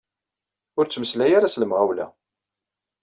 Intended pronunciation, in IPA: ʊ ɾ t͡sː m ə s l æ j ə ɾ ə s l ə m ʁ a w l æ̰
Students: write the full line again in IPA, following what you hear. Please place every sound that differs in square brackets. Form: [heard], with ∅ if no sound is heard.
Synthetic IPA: ʊ ɾ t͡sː m ə s l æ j [a] ɾ [a] s l ə m ʁ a w l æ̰